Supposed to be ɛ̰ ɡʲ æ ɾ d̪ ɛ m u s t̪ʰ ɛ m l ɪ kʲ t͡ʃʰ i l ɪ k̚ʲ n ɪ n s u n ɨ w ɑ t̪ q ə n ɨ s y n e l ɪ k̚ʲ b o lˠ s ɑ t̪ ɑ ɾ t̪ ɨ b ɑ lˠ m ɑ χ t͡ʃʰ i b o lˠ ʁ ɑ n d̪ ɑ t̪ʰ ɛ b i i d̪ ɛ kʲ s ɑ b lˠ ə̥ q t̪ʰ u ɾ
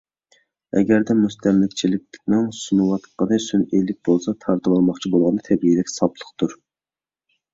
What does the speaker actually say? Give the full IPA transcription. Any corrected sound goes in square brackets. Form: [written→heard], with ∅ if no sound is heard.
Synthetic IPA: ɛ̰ ɡʲ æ ɾ d̪ ɛ m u s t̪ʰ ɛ m l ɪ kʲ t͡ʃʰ i l ɪ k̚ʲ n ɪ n s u n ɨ w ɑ t̪ q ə n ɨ s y n e l ɪ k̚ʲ b o lˠ s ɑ [t̪→t̪ʰ] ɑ ɾ t̪ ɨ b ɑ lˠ m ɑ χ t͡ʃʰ i b o lˠ ʁ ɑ n d̪ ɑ t̪ʰ ɛ b i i d̪ ɛ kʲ s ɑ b lˠ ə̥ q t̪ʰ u ɾ